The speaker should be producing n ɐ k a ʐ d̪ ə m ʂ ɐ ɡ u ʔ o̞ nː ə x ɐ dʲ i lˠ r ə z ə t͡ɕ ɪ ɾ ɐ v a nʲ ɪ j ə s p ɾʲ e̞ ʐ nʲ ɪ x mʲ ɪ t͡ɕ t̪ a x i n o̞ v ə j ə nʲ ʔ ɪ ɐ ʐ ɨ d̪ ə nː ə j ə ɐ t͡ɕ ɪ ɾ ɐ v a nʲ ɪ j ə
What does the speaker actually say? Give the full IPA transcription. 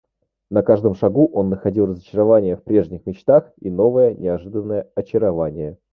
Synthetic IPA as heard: n ɐ k a ʐ d̪ ə m ʂ ɐ ɡ u ʔ o̞ nː ə x ɐ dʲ i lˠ r ə z ə t͡ɕ ɪ ɾ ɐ v a nʲ ɪ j ə f p ɾʲ e̞ ʐ nʲ ɪ x mʲ ɪ t͡ɕ t̪ a x i n o̞ v ə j ə nʲ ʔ ɪ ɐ ʐ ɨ d̪ ə nː ə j ə ɐ t͡ɕ ɪ ɾ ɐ v a nʲ ɪ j ə